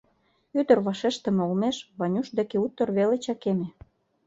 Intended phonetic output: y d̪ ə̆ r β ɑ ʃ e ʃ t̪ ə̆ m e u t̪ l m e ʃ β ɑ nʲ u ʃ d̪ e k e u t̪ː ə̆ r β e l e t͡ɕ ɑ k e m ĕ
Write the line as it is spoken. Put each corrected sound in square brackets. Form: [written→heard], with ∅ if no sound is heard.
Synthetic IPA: y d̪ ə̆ r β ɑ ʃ e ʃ t̪ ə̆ m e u [t̪→∅] l m e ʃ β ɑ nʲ u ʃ d̪ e k e u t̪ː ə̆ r β e l e t͡ɕ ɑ k e m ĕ